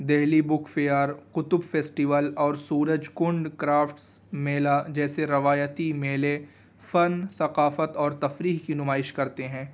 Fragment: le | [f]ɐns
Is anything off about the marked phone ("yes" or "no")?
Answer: no